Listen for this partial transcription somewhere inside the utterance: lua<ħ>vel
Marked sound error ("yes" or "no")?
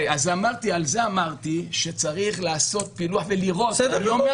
no